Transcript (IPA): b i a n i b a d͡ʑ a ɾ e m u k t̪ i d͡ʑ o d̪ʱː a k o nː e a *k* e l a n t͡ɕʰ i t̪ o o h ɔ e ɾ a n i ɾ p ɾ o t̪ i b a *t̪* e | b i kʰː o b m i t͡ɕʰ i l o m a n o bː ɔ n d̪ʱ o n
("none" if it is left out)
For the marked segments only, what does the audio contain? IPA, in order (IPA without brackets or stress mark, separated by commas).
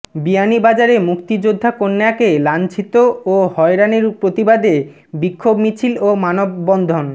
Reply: k, d̪